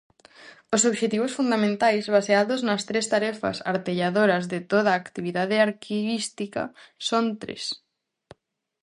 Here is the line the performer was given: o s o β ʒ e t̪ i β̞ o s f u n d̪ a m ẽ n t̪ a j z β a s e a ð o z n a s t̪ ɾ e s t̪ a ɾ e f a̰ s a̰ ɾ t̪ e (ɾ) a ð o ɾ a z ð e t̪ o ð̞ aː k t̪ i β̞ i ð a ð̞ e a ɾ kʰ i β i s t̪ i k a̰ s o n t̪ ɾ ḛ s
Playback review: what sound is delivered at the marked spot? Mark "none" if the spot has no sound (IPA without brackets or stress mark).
ʎ